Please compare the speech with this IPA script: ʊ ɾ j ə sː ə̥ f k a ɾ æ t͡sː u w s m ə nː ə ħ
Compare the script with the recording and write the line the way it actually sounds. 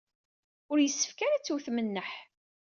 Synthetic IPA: ʊ ɾ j ə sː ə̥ f k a ɾ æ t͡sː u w θ m ə nː ə ħ